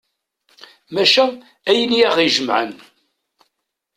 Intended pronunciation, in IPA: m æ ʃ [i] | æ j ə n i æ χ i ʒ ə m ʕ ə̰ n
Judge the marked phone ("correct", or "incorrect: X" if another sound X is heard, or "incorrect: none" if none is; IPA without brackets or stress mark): incorrect: æ